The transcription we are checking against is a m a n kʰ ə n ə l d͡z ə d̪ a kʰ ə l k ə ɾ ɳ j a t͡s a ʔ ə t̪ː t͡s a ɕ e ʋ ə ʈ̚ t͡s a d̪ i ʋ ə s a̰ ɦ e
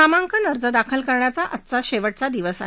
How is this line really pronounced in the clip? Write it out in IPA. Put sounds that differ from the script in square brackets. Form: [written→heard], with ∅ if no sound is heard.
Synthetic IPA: a m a [n→ŋ] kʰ ə n ə [l→ɾ] d͡z ə d̪ a kʰ ə l k ə ɾ ɳ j a t͡s a ʔ ə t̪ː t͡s a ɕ e ʋ ə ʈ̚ t͡s a d̪ i ʋ ə s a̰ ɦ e